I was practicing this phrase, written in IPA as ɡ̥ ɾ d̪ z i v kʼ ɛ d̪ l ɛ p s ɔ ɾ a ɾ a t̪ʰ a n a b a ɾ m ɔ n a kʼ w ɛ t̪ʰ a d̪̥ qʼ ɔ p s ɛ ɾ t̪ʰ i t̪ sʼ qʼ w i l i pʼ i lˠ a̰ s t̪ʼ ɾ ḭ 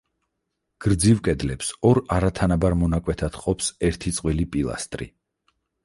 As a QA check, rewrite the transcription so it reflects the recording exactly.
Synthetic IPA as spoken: ɡ̥ ɾ d̪ z i v kʼ ɛ d̪ l ɛ p s ɔ ɾ a ɾ a t̪ʰ a n a b a ɾ m ɔ n a kʼ w ɛ t̪ʰ a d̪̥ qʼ ɔ p s ɛ ɾ t̪ʰ i t̪ sʼ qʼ w i l i pʼ i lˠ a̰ s t̪ʼ ɾ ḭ